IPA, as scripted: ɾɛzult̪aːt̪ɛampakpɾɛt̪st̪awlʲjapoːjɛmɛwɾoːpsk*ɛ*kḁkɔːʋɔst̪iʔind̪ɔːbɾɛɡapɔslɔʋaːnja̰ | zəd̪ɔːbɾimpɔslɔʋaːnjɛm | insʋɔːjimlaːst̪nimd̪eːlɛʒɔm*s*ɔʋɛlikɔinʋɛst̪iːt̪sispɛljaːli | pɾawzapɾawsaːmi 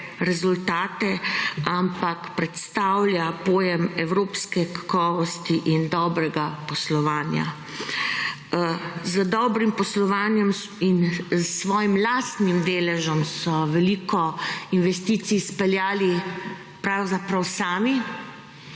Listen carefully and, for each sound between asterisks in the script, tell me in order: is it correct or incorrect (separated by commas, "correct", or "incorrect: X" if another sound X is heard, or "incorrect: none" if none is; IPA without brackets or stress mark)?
correct, correct